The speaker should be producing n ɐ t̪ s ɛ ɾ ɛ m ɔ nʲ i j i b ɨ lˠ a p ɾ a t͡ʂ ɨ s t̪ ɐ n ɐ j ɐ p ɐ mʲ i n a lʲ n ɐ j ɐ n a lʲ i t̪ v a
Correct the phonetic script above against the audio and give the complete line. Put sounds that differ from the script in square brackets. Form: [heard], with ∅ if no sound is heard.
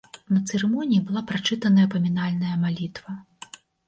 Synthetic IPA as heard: n ɐ t̪ s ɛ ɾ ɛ m ɔ nʲ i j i b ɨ lˠ a p ɾ a t͡ʂ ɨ [∅] t̪ ɐ n ɐ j ɐ p ɐ mʲ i n a lʲ n ɐ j ɐ [m] a lʲ i t̪ v [ɐ]